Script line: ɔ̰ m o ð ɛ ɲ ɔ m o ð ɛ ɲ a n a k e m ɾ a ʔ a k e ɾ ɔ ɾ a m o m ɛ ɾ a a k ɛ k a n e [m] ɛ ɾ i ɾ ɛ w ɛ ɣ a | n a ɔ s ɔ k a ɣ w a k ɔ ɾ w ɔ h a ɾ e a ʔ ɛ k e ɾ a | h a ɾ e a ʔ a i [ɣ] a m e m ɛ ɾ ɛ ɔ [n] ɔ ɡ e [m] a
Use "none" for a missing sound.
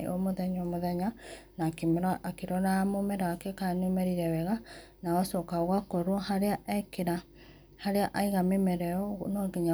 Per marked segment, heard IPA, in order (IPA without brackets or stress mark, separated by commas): m, ɣ, n, ɲ